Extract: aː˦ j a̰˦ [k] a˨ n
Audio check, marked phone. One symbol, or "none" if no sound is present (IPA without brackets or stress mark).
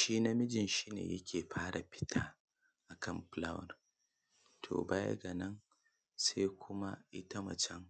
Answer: ɡ